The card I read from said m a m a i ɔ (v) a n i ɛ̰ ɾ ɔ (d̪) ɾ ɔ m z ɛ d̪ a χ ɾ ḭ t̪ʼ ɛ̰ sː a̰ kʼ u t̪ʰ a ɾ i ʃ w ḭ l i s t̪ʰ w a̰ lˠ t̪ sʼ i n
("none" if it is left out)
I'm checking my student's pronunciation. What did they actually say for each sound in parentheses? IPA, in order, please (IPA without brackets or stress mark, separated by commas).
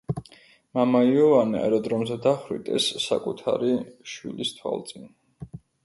v, d̪